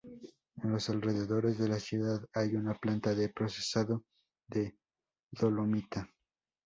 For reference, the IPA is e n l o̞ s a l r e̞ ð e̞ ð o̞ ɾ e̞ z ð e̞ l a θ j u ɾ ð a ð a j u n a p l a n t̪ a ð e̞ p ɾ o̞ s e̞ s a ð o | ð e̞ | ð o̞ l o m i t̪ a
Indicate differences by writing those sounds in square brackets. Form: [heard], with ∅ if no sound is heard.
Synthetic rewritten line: e n l o̞ s a l r e̞ ð e̞ ð o̞ ɾ e̞ z ð e̞ l a [s] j u [∅] ð a ð a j u n a p l a n t̪ a ð e̞ p ɾ o̞ s e̞ s a ð o | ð e̞ | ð o̞ l o m i t̪ a

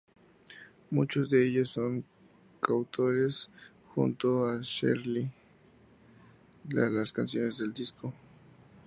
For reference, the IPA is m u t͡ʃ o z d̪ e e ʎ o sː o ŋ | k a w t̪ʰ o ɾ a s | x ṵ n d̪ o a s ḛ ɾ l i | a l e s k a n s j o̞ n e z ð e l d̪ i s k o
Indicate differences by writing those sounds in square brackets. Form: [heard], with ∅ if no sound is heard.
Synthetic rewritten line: m u t͡ʃ o z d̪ e e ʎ o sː o ŋ | k a w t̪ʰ o ɾ [e] s | x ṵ n [t̪] o a [ʃ] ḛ ɾ l i | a l [a] s k a n s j o̞ n e z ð e l d̪ i s k o

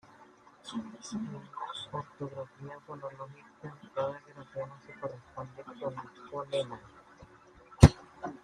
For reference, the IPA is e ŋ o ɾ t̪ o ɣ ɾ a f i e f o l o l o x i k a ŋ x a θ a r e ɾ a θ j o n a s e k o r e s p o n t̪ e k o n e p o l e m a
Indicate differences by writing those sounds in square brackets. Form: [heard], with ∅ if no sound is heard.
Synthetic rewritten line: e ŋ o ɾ t̪ o ɣ ɾ a f i [a] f o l o l o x i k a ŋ [k] a [ð] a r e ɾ a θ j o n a s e k o r e s p o n [d̪] e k o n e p o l e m a

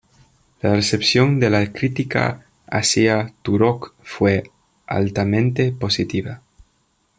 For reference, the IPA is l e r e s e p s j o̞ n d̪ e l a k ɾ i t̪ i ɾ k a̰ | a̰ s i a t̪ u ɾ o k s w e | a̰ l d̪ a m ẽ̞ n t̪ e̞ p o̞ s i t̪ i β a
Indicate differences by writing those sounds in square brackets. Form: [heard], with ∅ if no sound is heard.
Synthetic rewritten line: l [a] r e s e p s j o̞ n d̪ e l a k ɾ i t̪ i [∅] k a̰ | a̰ s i a t̪ u ɾ o k [f] w e | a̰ l [t̪] a m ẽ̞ n t̪ e̞ p o̞ s i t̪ i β a

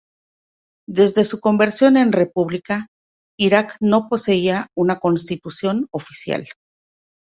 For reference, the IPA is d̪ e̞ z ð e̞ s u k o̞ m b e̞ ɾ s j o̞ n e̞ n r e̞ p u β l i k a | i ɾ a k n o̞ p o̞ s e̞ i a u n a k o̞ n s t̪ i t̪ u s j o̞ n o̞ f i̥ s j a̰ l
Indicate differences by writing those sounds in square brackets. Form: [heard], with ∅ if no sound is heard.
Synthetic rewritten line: d̪ e̞ z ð e̞ s u k o̞ m b e̞ ɾ s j o̞ n e̞ n r e̞ p u β l i k a | i ɾ a k n o̞ p o̞ s e̞ i a u n a k o̞ n s t̪ i t̪ u s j o̞ n o̞ f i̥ s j a̰ l

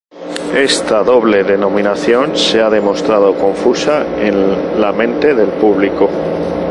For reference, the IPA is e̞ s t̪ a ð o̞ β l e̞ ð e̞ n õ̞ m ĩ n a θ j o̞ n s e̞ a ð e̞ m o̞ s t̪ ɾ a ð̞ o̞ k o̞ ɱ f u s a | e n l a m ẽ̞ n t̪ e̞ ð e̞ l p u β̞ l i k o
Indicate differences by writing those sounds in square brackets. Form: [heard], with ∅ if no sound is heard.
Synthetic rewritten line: e̞ s t̪ a ð o̞ β l e̞ ð e̞ n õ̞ m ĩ n a θ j o̞ n s e̞ a ð e̞ m o̞ s t̪ ɾ a ð̞ o̞ k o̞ ɱ f u s a | e n l a m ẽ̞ n t̪ e̞ ð e̞ l p u β̞ l i k o

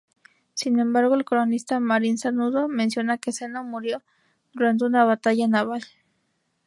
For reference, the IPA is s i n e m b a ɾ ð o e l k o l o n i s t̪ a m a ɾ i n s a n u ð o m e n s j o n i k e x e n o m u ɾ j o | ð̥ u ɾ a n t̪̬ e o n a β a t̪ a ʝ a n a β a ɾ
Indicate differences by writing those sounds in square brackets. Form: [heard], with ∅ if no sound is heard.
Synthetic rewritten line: s i n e m b a ɾ [ɣ] o e l k o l o n i s t̪ a m a ɾ i n s a n u ð o m e n s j o n [a] k e [s] e n o m u ɾ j o | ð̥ u ɾ a n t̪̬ e [u] n a β a t̪ a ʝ a n a β a [l]

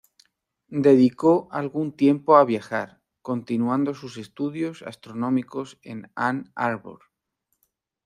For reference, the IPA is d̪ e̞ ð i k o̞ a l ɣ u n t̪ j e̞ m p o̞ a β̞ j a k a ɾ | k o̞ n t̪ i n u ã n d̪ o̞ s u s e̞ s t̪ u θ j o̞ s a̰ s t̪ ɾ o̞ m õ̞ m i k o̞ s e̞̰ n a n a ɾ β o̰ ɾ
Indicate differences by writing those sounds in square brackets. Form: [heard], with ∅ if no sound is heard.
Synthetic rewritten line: d̪ e̞ ð i k o̞ a l ɣ u n t̪ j e̞ m p o̞ a β̞ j a [x] a ɾ | k o̞ n t̪ i n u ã n d̪ o̞ s u s e̞ s t̪ u [ð] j o̞ s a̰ s t̪ ɾ o̞ [n] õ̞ m i k o̞ s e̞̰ n a n a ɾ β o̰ ɾ

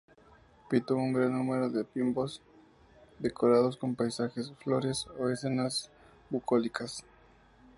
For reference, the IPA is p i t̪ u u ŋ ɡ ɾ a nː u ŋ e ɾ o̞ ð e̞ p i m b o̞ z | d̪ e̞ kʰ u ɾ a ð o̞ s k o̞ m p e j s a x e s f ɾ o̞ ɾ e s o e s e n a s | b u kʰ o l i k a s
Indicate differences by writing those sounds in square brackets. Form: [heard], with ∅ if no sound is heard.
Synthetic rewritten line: p i t̪ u u ŋ ɡ ɾ a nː u [m] e ɾ o̞ ð e̞ p i m b o̞ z | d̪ e̞ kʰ [o] ɾ a ð o̞ s k o̞ m p [a] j s a x e s f [l] o̞ ɾ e s o e s e n a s | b u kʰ o l i k a s

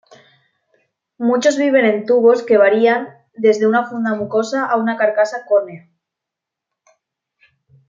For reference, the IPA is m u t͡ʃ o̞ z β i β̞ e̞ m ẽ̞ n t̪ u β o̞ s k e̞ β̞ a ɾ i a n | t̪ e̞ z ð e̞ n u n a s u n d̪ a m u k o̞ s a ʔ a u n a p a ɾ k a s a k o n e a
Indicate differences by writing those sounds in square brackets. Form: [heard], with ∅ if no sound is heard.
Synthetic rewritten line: m u t͡ʃ o̞ z β i β̞ e̞ [n] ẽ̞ n t̪ u β o̞ s k e̞ β̞ a ɾ i a n | [d̪] e̞ z ð e̞ [∅] u n a [f] u n d̪ a m u k o̞ s a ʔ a u n a [k] a ɾ k a s a k o n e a

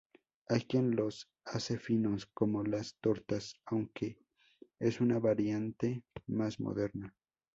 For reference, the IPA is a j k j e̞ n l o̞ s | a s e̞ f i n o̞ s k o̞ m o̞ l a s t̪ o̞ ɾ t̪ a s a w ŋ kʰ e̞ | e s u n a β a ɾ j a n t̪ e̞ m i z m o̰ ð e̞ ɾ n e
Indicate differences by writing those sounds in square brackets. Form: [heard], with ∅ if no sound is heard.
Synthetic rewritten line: a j k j e̞ n l o̞ s | a s e̞ f i n o̞ s k o̞ m o̞ l a s t̪ o̞ ɾ t̪ a s a w ŋ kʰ e̞ | e s u n a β a ɾ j a n t̪ e̞ m [a] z m o̰ ð e̞ ɾ n [a]

